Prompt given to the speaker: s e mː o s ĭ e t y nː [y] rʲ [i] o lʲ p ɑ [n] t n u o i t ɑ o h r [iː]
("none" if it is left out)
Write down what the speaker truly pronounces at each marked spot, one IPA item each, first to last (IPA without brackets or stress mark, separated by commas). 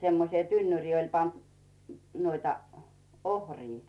y, iː, n, iː